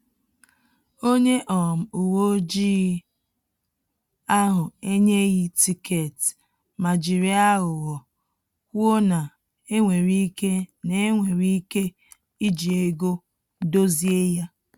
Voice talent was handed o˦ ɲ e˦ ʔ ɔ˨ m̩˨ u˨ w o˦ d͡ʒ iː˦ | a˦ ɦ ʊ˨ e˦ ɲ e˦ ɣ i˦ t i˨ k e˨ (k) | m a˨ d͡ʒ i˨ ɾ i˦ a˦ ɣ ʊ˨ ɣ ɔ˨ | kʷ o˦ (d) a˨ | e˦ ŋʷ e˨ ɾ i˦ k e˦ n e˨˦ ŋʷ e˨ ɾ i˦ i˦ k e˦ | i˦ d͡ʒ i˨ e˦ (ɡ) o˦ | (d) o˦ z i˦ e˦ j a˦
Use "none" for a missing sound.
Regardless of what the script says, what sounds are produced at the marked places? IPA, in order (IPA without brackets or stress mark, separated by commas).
t, n, ɡ, d